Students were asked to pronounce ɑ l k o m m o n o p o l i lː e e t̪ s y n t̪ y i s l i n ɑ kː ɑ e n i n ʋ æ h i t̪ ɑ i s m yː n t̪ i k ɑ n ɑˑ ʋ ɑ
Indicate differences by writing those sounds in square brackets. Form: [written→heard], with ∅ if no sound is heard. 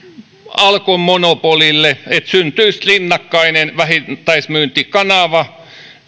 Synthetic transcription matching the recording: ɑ l k o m m o n o p o l i lː e e t̪ s y n t̪ y i s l i [n→nː] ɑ kː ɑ [e→i] n [i→e] n ʋ æ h i t̪ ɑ i s m yː n t̪ i k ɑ n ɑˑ ʋ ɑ